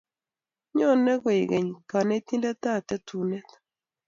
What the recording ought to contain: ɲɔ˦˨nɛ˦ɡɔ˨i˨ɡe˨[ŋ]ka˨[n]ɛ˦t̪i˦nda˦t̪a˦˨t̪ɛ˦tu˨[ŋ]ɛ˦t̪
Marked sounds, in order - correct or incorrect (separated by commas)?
incorrect, correct, incorrect